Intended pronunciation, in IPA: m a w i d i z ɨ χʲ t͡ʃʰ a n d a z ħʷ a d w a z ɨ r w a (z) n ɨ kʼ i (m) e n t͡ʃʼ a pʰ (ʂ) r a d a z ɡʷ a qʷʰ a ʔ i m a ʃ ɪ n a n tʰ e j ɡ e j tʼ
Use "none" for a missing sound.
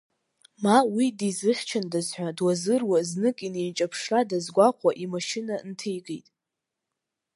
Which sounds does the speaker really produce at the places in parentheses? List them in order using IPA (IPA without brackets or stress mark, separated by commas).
z, n, ʂ